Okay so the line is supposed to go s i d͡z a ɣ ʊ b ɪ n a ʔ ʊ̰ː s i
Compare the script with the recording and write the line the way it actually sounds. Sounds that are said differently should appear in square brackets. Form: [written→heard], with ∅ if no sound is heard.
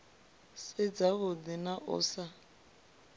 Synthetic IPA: s [i→ɪ] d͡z a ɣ ʊ [b→d] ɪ n a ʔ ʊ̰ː s [i→a]